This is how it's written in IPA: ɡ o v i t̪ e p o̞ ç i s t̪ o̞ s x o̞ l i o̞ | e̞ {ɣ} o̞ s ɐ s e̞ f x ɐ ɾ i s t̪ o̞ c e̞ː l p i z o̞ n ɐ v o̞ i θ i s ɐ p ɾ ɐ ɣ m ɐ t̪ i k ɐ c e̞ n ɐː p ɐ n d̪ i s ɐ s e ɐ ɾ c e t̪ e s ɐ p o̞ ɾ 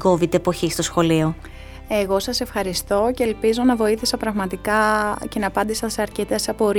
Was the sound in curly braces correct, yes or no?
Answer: yes